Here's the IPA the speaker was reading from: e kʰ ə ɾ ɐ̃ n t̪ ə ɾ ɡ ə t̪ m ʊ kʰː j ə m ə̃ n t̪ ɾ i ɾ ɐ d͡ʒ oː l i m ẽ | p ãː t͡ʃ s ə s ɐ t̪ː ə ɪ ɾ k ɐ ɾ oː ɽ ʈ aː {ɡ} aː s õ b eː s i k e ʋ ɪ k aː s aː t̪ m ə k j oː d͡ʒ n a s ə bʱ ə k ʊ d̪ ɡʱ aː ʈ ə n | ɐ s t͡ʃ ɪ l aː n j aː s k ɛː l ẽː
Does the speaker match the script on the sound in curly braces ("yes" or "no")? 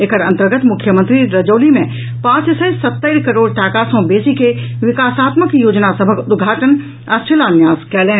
no